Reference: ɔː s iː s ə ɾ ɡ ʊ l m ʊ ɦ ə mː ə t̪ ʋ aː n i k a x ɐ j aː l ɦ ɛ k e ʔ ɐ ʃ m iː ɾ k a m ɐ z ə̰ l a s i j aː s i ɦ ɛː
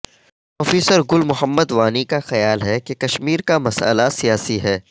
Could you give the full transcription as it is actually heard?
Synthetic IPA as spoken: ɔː f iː s ə ɾ ɡ ʊ l m ʊ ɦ ə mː ə d̪ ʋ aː n i k a x ɐ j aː l ɦ ɛ k e k ɐ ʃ m iː ɾ k a m ɐ s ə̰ l a s i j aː s i ɦ ɛː